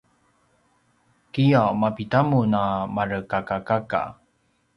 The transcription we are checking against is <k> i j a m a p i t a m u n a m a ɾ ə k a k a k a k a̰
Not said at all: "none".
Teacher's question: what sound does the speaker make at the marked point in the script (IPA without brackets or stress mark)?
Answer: k